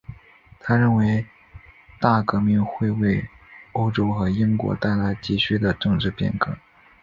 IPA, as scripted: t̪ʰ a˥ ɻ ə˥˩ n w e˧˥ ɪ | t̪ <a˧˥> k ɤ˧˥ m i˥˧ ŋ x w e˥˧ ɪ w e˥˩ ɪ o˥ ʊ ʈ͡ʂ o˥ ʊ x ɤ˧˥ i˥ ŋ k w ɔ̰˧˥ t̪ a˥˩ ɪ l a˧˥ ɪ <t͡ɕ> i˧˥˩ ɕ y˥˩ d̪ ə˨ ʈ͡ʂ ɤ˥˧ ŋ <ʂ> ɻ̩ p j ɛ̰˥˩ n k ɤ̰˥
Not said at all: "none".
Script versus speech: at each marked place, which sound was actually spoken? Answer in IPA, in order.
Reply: a˥˩, t͡ɕ, ʈ͡ʂ

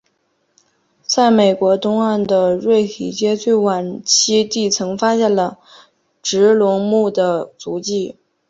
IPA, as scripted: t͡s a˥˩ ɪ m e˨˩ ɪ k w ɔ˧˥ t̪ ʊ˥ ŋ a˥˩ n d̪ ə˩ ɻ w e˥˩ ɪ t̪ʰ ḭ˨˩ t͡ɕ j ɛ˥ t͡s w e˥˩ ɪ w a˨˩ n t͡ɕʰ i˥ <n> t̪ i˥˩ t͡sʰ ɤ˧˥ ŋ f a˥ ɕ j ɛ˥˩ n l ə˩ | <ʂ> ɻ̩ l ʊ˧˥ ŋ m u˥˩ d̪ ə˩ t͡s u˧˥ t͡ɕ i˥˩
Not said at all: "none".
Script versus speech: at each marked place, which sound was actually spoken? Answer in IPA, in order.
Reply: none, ʈ͡ʂ

